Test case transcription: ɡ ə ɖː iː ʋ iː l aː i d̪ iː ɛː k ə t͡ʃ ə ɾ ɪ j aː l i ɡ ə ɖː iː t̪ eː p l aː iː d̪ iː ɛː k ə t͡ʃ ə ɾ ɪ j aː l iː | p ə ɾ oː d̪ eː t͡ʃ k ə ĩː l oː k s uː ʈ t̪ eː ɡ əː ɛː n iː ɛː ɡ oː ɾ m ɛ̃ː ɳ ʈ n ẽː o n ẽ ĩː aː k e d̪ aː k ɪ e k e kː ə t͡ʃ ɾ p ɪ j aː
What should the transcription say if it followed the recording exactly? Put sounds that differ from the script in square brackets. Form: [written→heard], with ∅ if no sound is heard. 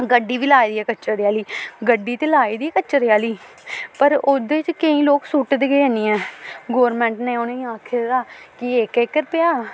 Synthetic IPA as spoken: ɡ ə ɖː iː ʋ iː l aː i d̪ iː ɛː k ə t͡ʃ ə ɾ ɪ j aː l [i→iː] ɡ ə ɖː iː t̪ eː [p→∅] l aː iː d̪ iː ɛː k ə t͡ʃ ə ɾ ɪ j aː l iː | p ə ɾ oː d̪ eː t͡ʃ k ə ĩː l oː k s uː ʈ [t̪→d̪] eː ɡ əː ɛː n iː ɛː ɡ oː ɾ m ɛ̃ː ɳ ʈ n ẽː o n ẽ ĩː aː [k→kʰ] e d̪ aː k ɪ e k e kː ə [t͡ʃ→∅] ɾ p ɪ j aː